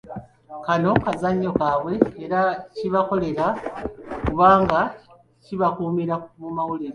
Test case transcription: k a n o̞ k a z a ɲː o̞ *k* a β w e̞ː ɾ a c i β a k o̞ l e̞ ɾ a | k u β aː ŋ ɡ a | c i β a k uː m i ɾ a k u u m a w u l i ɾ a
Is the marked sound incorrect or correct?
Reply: correct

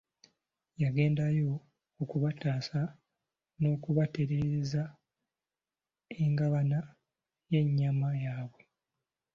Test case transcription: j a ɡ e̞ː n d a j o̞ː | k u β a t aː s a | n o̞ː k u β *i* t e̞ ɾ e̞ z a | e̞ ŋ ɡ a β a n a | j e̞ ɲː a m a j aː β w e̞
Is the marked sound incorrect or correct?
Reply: incorrect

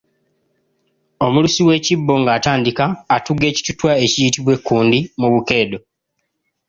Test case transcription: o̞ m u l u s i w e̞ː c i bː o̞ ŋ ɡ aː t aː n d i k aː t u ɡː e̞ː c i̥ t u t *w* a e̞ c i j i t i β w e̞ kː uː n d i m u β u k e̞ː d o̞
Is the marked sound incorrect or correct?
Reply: correct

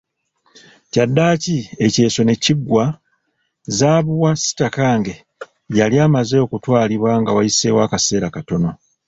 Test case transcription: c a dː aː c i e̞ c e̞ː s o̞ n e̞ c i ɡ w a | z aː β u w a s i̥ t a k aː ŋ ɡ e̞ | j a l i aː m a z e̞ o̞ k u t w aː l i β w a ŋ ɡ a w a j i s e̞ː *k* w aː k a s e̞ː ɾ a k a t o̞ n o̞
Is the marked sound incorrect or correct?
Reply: incorrect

